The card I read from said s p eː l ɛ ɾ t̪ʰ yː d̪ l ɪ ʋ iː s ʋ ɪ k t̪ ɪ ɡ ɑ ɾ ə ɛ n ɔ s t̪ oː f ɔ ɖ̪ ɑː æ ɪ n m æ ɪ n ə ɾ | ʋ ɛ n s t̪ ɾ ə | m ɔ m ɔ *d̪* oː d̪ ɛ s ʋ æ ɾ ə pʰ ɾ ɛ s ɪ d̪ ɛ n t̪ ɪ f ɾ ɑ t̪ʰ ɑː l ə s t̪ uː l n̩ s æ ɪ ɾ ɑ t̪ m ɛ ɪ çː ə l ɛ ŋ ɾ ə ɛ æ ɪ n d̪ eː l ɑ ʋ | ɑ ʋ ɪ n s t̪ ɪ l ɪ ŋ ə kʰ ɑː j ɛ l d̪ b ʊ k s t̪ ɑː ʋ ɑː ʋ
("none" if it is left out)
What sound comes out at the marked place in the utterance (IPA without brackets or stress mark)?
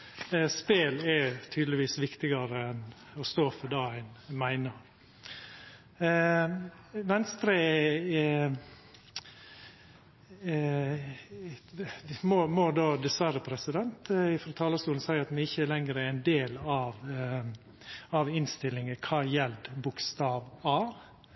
d̪